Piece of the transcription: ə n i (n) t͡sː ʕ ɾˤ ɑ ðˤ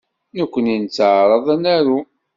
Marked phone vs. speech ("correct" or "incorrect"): correct